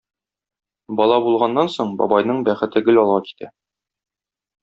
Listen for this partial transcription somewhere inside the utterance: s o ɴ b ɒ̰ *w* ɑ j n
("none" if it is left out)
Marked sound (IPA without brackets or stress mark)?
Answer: b